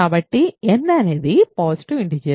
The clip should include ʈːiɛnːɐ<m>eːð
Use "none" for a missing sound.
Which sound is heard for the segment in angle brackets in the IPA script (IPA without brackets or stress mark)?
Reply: n